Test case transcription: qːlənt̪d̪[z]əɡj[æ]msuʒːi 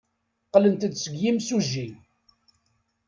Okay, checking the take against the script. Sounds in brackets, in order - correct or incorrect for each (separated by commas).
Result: incorrect, incorrect